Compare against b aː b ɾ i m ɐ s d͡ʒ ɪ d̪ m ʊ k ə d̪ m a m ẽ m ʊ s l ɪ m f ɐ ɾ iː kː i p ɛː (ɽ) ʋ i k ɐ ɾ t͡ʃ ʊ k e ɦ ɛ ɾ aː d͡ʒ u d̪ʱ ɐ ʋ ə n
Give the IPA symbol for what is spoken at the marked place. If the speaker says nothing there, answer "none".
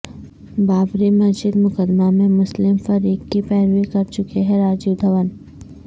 ɾ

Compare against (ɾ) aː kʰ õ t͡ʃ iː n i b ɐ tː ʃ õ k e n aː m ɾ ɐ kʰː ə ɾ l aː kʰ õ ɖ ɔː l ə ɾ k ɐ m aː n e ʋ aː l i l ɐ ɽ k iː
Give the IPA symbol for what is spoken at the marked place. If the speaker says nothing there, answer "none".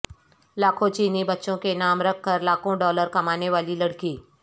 l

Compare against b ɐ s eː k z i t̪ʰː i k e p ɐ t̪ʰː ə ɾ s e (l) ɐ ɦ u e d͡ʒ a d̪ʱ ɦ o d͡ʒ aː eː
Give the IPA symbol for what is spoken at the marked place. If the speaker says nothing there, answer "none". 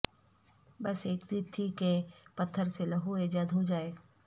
l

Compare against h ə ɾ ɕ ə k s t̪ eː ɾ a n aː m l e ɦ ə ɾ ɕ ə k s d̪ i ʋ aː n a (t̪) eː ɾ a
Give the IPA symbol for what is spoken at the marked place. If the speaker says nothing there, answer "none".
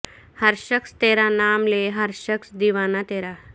t̪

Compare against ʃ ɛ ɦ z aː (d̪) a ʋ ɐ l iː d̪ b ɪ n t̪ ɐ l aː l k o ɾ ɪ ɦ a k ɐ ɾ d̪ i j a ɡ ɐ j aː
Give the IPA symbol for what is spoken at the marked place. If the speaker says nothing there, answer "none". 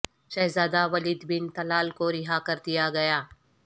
d̪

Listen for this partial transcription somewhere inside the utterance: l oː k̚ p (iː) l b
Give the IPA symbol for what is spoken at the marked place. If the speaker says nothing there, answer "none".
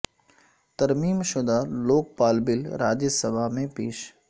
aː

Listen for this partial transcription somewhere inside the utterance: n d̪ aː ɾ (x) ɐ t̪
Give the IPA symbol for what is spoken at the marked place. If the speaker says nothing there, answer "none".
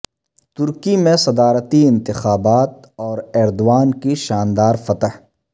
f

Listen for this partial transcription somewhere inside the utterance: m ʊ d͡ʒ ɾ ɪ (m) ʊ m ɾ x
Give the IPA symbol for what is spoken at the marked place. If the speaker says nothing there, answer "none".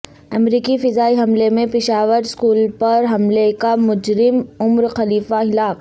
m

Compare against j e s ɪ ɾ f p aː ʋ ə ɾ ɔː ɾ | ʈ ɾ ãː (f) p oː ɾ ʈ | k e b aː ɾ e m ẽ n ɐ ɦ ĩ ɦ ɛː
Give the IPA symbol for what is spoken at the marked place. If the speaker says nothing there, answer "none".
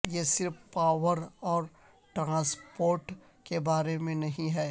s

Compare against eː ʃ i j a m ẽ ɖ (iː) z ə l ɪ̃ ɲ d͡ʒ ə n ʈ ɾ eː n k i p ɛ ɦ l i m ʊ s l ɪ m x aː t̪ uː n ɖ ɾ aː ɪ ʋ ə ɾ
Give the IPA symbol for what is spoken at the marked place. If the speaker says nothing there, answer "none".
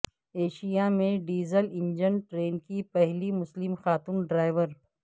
iː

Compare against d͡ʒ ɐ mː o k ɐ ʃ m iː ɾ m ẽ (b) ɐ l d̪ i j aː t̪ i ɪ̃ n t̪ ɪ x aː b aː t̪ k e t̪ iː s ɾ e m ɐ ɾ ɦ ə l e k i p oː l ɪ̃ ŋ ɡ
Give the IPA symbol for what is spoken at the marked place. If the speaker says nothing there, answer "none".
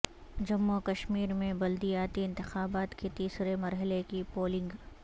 b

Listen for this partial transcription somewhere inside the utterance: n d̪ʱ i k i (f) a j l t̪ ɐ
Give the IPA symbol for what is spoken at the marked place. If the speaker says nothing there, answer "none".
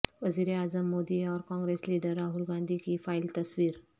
f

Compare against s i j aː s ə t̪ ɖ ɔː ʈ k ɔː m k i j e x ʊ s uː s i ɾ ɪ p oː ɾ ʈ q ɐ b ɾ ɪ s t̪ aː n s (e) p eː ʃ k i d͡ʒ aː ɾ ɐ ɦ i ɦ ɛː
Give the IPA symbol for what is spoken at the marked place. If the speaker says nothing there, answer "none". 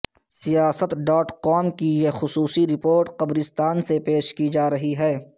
e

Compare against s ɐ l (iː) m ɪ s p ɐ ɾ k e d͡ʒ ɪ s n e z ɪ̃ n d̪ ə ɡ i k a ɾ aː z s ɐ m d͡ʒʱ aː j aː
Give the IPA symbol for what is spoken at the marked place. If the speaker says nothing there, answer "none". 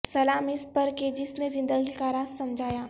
aː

